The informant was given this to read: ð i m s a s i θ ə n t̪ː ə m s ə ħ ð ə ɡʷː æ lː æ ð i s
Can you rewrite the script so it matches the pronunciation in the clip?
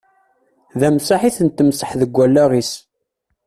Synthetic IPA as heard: ð æ m s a ħ i θ ə n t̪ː ə m s ə ħ ð ə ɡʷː æ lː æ ʁ i s

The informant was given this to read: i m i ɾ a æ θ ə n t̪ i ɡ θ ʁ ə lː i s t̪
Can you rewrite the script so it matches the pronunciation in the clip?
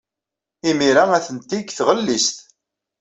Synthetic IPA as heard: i m i ɾ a æ θ ə n t̪ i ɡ θ ʁ ə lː i s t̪

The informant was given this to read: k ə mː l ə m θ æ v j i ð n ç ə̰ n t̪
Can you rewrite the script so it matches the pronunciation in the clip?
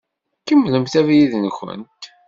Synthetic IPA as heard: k ə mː l ə m θ æ v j i ð n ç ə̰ n t̪

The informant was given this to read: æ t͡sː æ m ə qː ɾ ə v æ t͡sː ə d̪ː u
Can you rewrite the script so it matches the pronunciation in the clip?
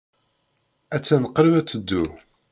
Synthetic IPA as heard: æ t͡sː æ n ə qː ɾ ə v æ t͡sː ə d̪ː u

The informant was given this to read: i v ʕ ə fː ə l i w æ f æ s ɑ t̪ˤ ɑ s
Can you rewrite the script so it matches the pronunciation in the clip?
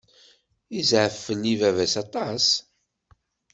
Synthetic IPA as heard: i z ʕ ə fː ə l i v æ v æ s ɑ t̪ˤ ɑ s

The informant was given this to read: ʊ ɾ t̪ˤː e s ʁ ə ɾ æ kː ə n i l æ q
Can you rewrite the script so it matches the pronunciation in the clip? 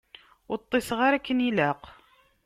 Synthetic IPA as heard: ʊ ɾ t̪ˤː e s ʁ a ɾ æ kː ə n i l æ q

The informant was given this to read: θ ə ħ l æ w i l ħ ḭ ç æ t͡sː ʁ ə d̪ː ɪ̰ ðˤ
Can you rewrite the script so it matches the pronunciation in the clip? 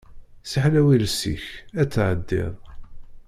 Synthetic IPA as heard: s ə ħ l æ w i l s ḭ ç æ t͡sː ʕ ə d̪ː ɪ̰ ðˤ

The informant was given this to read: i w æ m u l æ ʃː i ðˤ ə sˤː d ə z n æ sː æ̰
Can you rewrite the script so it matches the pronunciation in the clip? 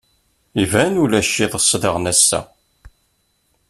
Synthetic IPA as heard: i v æ n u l æ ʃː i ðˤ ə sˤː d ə ʁ n æ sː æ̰

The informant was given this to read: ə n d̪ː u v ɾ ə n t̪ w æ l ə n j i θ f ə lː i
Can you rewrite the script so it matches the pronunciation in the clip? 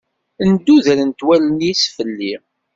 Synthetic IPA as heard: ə n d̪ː u ð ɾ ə n t̪ w æ l ə n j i s f ə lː i

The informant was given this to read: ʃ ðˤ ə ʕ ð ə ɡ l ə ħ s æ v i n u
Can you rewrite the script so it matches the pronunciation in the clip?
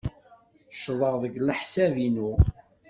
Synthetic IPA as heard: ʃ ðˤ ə ʁ ð ə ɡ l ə ħ s æ v i n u

